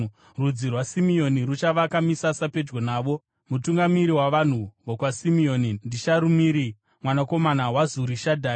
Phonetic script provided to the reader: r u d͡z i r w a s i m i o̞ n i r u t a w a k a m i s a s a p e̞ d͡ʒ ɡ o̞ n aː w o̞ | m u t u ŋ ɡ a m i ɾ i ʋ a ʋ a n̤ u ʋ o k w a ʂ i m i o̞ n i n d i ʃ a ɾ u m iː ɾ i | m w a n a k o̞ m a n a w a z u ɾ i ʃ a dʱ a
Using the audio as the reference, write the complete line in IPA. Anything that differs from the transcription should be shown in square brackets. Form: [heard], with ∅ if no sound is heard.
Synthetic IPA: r u d͡z i r w a s i m i o̞ n i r u [t͡ʃ] a [ʋ] a k a m i s a s a p e̞ d͡ʒ ɡ o̞ n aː [ʋ] o̞ | m u t u ŋ ɡ a m i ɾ i [w] a ʋ a n̤ u ʋ o k w a [s] i m i o̞ n i n d i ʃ a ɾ u m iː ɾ i | m w a n a k o̞ m a n a w a z u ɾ i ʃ a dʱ a